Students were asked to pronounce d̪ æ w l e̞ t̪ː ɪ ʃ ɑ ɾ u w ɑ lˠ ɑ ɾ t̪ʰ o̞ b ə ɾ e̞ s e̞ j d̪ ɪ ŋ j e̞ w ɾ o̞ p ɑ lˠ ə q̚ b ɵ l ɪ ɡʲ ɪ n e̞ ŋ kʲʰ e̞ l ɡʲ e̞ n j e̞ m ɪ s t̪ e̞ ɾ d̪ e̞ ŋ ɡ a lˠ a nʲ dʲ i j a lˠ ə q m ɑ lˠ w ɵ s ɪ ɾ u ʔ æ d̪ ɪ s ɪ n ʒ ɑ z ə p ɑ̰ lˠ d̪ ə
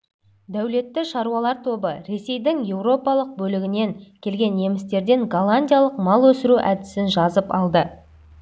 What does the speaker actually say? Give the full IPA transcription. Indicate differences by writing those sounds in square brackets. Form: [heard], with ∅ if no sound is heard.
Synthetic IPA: d̪ æ w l e̞ t̪ː ɪ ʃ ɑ ɾ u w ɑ lˠ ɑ ɾ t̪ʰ o̞ b ə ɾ e̞ s e̞ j d̪ ɪ ŋ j e̞ w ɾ o̞ p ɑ lˠ ə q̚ b ɵ l ɪ ɡʲ ɪ n e̞ ŋ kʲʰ e̞ l ɡʲ e̞ n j e̞ m ɪ s t̪ e̞ ɾ d̪ e̞ ŋ ɡ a lˠ a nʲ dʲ i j a lˠ ə q m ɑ lˠ w ɵ s ɪ ɾ u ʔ æ d̪ ɪ s ɪ n ʒ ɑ z ə p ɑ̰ lˠ d̪ ə

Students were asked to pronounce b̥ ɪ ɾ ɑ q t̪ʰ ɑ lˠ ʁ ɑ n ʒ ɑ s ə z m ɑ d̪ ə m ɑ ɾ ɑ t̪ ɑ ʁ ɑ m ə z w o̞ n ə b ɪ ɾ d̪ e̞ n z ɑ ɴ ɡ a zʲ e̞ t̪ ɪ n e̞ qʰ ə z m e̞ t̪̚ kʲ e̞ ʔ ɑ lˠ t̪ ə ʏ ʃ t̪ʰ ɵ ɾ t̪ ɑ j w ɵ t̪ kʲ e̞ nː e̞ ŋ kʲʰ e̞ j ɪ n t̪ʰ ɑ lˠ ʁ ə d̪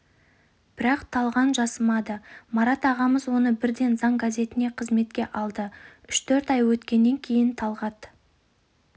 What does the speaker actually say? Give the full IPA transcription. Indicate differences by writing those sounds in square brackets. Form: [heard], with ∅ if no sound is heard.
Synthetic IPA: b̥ ɪ ɾ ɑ q t̪ʰ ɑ lˠ ʁ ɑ n ʒ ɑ s ə [∅] m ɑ d̪ ə m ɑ ɾ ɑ t̪ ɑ ʁ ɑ m ə z w o̞ n ə b ɪ ɾ d̪ e̞ n z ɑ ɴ ɡ a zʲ e̞ t̪ ɪ n e̞ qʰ ə z m e̞ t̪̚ kʲ e̞ ʔ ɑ lˠ [d̪] ə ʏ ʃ t̪ʰ ɵ ɾ t̪ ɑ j w ɵ t̪ kʲ e̞ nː e̞ ŋ kʲʰ e̞ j ɪ n t̪ʰ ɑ lˠ ʁ [ɑ] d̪

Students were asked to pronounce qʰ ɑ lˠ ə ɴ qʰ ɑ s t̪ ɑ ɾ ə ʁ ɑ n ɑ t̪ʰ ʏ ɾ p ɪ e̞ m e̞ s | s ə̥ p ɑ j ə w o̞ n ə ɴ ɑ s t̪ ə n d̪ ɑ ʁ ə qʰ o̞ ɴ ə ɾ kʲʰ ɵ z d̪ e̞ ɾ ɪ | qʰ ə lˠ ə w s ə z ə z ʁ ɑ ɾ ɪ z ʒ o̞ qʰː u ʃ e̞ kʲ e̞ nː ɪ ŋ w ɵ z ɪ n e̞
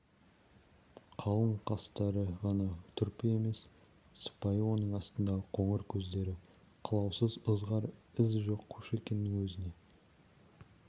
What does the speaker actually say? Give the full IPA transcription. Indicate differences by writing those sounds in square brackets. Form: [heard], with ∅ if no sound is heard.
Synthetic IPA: qʰ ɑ lˠ ə ɴ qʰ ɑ s t̪ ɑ ɾ ə ʁ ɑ n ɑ t̪ʰ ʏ ɾ p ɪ e̞ m e̞ s | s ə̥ p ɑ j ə w o̞ n ə ɴ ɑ s t̪ ə n d̪ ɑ ʁ ə qʰ o̞ ɴ ə ɾ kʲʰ ɵ z d̪ e̞ ɾ ɪ | qʰ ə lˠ [ɑ] w s ə z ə z ʁ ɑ ɾ ɪ z ʒ o̞ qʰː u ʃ e̞ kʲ e̞ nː ɪ ŋ w ɵ z ɪ n e̞

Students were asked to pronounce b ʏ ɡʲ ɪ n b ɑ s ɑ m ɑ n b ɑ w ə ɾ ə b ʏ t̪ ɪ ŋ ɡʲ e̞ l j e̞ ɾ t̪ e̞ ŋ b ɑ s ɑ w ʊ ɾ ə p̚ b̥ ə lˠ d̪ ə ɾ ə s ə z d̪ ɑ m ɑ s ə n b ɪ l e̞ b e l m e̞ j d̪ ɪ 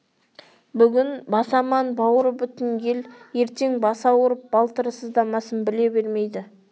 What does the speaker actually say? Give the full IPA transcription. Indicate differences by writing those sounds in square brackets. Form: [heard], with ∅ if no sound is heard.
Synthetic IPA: b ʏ ɡʲ ɪ n b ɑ s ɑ m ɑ n b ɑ w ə ɾ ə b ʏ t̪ ɪ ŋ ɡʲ e̞ l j e̞ ɾ t̪ e̞ ŋ b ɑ s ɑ w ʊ ɾ ə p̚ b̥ [ɑ] lˠ [t̪] ə ɾ ə s ə z d̪ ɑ m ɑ s ə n b ɪ l e̞ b e [ɾ] m e̞ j d̪ ɪ

